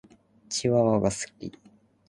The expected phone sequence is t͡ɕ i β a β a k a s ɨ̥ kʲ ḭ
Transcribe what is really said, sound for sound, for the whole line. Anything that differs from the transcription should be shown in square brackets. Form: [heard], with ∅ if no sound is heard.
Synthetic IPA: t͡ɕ i β a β a [ɡ] a s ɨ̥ kʲ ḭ